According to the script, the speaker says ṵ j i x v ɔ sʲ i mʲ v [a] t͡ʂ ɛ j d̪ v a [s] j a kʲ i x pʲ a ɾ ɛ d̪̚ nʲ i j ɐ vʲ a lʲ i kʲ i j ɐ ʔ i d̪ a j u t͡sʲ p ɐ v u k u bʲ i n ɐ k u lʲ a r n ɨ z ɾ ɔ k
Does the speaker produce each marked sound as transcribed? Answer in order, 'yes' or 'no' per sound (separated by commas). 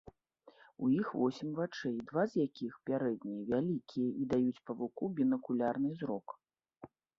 yes, no